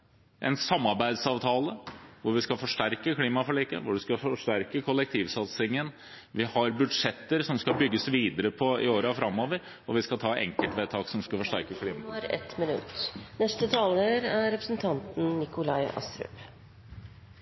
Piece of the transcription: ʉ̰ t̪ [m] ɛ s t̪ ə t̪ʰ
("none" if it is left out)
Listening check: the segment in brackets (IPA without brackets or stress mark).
n